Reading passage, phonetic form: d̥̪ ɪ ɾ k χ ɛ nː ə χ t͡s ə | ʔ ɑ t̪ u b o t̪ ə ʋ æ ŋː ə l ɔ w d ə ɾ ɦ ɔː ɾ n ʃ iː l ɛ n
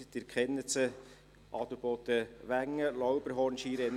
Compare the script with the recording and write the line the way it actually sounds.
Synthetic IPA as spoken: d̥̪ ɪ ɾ k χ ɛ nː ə t͡s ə | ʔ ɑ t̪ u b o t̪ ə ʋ æ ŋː ə l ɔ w b ə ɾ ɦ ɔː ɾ n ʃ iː ɾ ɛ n

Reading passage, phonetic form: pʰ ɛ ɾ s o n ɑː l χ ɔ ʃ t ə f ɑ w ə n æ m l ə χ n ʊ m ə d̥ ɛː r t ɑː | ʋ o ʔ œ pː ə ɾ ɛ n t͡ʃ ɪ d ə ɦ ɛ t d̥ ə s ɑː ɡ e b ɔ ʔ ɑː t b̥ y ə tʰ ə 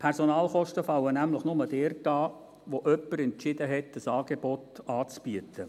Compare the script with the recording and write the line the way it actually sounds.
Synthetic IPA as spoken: pʰ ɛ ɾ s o n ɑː l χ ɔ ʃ t ə f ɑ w ə n æ m l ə χ n ʊ m ə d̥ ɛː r t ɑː | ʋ o ʔ œ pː ə ɾ ɛ n t͡ʃ ɪ d ə ɦ ɛ t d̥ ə s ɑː ɡ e b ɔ t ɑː t͡s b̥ y ə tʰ ə

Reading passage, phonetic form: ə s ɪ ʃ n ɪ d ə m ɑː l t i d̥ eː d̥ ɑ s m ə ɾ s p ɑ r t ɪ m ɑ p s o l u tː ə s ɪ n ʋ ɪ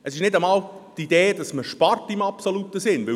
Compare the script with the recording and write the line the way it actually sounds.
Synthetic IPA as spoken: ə s ɪ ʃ n ɪ d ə m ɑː l t i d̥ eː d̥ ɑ s m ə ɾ ʃ p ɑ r t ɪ m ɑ p s o l u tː ə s ɪ n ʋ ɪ

